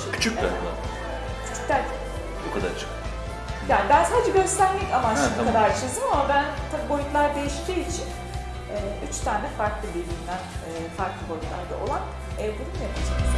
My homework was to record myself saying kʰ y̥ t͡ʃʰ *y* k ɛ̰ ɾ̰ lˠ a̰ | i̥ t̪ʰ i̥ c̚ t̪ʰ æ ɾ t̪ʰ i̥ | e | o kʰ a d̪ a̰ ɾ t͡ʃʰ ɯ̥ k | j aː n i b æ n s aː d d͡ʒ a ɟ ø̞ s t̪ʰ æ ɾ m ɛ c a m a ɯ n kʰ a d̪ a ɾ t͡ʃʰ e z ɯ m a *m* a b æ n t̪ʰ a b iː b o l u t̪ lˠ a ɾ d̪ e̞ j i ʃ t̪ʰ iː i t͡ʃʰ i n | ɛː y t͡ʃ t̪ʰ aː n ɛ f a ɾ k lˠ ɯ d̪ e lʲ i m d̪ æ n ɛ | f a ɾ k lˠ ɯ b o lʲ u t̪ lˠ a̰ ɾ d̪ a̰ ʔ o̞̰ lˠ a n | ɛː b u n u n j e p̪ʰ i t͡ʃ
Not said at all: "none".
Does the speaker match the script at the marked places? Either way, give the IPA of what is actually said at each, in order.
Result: y, m

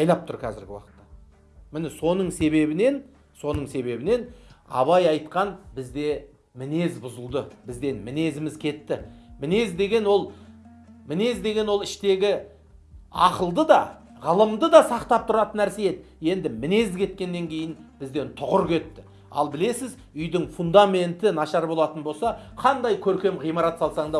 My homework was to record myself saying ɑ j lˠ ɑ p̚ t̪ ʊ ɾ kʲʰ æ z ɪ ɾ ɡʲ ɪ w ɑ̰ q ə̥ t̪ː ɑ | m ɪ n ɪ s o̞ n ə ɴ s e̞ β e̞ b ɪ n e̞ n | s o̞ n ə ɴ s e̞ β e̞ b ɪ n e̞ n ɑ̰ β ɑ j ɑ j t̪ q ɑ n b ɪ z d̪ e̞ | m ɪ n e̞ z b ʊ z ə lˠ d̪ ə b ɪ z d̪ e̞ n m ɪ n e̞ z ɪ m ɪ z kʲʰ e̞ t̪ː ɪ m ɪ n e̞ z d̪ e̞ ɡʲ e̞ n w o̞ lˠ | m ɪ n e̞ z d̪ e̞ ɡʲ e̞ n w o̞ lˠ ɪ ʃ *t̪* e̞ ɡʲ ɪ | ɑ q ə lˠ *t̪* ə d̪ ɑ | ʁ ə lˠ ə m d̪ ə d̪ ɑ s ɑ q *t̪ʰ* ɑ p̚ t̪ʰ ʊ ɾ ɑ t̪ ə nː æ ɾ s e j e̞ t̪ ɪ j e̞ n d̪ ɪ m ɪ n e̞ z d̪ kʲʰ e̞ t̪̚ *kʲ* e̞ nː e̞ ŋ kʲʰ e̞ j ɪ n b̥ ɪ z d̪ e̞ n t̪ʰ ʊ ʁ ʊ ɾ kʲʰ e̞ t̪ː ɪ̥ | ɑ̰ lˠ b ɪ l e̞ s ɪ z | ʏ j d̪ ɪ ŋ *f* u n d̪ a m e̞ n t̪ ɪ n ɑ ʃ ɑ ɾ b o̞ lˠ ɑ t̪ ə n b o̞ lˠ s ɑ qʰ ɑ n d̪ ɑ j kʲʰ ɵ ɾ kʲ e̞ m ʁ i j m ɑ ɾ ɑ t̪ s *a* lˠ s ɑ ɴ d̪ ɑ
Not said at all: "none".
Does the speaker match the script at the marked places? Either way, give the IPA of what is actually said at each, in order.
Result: t̪, d̪, t̪, kʲ, f, ɑ

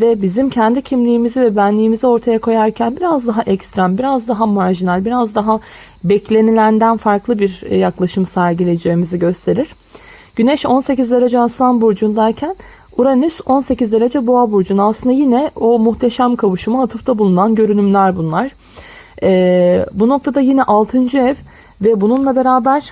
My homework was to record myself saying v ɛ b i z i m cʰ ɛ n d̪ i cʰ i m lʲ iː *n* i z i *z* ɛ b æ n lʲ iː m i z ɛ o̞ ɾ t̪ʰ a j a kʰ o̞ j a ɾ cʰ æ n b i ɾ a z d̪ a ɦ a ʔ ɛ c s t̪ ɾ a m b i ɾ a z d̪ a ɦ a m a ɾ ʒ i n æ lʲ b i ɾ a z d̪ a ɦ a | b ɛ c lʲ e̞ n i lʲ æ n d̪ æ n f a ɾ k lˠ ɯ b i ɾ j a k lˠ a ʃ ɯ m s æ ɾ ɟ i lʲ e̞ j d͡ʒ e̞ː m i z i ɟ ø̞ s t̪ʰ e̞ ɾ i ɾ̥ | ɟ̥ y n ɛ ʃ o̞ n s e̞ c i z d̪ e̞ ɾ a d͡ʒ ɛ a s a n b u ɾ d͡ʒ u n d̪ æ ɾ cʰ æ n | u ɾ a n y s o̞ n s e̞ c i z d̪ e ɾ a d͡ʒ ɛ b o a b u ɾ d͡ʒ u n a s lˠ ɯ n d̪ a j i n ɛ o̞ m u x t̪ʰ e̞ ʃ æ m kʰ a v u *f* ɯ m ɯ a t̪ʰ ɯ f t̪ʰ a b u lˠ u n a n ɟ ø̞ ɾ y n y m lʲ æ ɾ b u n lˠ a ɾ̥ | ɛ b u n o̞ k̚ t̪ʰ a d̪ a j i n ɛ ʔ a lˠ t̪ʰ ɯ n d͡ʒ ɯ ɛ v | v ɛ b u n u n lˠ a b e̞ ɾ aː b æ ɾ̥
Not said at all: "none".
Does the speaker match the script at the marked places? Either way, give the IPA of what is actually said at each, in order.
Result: m, v, ʃ

